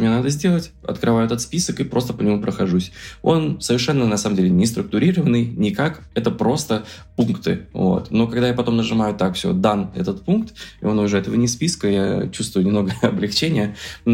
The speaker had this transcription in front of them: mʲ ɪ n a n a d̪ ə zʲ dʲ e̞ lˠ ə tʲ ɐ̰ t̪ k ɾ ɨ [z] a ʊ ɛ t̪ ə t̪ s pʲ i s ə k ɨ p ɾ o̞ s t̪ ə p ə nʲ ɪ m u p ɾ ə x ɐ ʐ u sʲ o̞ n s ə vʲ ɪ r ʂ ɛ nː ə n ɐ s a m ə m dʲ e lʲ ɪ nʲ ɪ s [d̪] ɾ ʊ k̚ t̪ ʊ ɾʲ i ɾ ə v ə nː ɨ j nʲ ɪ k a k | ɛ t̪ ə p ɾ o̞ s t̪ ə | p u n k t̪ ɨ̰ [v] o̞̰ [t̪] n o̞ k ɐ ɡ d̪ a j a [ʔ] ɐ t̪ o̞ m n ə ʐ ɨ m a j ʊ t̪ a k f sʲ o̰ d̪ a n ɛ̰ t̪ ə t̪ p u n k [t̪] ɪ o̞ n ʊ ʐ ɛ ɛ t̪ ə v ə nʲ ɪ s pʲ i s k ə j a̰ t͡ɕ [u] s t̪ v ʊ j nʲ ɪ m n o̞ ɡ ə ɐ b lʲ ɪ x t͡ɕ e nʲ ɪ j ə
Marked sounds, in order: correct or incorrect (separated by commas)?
incorrect, incorrect, correct, correct, incorrect, correct, correct